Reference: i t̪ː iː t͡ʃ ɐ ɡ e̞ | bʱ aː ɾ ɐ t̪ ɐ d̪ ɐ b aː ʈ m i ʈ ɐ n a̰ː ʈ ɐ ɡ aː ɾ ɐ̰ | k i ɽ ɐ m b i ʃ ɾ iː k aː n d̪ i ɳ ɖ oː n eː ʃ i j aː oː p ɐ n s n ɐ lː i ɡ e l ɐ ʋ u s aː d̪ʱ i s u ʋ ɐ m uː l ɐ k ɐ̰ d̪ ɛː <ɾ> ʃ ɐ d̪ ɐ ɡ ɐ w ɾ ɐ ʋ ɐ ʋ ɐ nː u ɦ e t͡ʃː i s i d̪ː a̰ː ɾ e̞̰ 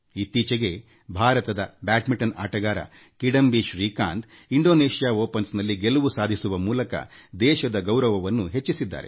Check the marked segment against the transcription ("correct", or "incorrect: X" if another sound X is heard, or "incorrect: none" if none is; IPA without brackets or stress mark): incorrect: none